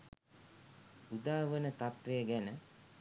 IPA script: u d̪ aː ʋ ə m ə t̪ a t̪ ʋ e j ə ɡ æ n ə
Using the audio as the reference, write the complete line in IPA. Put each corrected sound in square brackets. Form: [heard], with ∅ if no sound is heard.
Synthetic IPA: u d̪ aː ʋ ə [n] ə t̪ a t̪ ʋ e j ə ɡ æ n ə